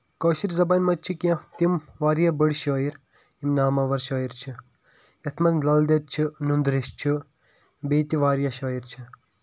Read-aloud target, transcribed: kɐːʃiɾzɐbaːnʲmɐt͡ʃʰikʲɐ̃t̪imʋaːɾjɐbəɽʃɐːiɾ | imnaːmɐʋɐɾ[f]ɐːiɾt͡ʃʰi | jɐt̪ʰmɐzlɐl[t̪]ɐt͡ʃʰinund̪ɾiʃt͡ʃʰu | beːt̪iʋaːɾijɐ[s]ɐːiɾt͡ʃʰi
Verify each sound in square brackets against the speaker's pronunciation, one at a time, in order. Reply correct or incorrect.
incorrect, incorrect, incorrect

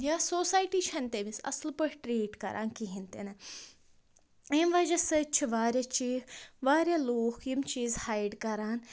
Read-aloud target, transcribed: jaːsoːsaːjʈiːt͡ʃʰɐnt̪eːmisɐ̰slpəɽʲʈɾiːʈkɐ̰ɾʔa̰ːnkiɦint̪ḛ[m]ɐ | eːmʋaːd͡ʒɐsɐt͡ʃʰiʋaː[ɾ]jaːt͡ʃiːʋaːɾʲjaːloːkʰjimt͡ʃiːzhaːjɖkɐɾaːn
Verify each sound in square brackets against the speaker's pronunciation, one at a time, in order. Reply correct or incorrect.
incorrect, correct

